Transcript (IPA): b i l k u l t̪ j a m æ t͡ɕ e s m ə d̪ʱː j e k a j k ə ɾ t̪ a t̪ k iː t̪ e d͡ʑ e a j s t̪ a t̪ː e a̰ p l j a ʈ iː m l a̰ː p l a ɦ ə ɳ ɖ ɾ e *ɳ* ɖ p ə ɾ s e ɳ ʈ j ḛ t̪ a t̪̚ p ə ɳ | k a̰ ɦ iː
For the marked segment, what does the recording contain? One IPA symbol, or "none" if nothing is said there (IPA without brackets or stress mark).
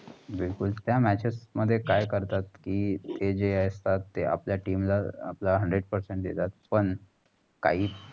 none